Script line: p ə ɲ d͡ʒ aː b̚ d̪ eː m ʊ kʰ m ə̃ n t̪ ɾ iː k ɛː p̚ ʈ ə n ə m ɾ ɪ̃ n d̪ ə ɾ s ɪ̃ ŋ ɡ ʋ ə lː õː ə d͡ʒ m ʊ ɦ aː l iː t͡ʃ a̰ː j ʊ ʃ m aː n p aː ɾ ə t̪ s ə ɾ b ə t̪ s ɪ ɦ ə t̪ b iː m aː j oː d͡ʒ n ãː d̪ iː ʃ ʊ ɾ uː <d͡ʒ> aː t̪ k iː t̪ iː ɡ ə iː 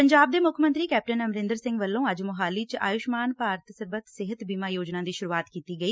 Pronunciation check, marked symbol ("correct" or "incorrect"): incorrect